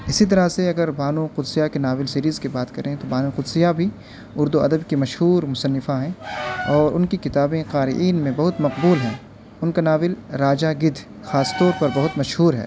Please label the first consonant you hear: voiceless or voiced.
voiceless